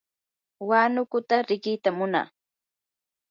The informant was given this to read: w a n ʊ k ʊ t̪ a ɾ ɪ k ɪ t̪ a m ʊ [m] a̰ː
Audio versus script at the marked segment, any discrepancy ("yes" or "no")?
yes